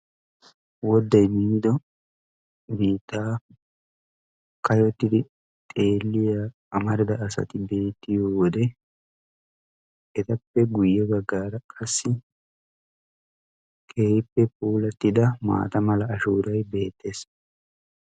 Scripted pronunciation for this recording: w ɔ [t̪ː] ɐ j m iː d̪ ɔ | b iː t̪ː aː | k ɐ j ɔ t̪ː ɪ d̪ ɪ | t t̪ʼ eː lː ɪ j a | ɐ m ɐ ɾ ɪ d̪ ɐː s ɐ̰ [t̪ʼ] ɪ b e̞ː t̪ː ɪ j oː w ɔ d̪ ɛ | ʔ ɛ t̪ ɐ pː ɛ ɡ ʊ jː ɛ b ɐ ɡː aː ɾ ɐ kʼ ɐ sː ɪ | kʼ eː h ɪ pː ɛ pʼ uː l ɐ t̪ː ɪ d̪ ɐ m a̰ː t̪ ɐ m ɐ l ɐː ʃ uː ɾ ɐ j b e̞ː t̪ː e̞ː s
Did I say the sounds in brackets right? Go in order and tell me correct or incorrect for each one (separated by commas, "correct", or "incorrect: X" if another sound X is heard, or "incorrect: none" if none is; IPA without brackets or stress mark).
incorrect: d̪ː, incorrect: t̪